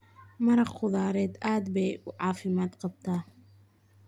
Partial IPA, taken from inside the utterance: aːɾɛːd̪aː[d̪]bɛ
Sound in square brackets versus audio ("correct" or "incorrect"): correct